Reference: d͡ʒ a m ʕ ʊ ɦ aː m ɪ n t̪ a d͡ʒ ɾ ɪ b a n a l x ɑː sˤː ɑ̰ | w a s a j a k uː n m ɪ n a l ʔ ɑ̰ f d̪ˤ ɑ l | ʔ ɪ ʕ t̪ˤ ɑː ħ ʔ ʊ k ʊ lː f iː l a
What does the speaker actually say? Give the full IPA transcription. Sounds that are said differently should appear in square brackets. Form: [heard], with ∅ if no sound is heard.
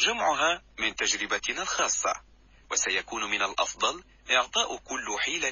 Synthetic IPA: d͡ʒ a m ʕ ʊ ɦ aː m ɪ n t̪ a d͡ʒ ɾ ɪ b a n a l x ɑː sˤː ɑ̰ | w a s a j a k uː n m ɪ n a l ʔ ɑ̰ f d̪ˤ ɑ l | ʔ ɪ ʕ t̪ˤ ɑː [∅] ʔ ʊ k ʊ lː [ħ] iː l a